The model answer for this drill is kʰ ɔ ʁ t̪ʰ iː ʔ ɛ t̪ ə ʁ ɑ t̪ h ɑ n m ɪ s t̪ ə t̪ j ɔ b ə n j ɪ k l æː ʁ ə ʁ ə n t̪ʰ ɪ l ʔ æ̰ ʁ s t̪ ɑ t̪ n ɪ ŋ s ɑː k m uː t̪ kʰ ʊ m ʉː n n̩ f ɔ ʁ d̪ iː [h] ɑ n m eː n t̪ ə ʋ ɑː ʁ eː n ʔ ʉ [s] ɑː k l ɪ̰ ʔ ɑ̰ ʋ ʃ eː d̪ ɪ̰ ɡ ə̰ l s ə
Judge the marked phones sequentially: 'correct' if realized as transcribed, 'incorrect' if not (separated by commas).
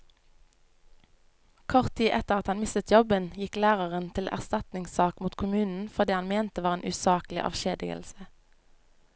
correct, correct